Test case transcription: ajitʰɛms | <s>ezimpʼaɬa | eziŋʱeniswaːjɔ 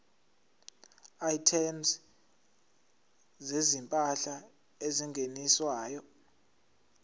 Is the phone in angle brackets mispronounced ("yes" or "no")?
yes